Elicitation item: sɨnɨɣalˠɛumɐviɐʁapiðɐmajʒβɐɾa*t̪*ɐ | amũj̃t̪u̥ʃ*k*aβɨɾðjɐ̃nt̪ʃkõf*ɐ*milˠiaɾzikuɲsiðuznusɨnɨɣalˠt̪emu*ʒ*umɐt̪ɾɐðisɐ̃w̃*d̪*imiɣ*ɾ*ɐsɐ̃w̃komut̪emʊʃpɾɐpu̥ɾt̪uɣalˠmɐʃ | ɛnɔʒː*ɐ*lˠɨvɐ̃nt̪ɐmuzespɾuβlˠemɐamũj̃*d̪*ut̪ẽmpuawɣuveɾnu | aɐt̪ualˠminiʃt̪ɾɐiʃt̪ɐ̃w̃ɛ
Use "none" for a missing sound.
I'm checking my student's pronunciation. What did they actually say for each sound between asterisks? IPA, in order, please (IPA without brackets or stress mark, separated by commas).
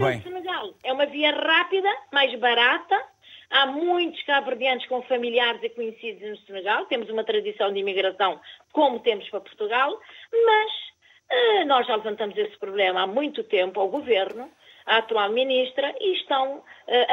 t̪, k, ɐ, z, d̪, ɾ, a, t̪